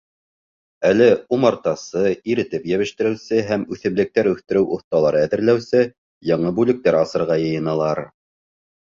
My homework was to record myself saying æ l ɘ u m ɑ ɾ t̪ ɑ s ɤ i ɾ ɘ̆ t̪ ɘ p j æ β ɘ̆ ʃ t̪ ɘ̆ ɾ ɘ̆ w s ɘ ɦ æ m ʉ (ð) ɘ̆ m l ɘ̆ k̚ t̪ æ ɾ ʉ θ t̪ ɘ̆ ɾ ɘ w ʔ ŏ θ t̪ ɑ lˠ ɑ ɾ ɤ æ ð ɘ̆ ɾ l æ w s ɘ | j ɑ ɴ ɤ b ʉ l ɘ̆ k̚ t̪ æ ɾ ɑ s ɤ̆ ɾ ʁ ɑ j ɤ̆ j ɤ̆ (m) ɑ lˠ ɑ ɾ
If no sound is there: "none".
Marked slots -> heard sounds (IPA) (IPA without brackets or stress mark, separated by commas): θ, n